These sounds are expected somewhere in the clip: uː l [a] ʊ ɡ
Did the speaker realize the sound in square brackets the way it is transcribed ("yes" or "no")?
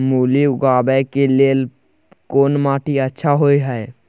no